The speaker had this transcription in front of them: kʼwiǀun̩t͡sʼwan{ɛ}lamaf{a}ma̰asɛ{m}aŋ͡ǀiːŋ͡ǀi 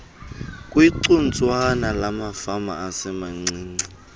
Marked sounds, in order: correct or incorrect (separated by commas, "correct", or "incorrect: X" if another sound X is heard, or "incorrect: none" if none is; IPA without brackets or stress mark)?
incorrect: a, correct, correct